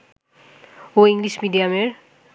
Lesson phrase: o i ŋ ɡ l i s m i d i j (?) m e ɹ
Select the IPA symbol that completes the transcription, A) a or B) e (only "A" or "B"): A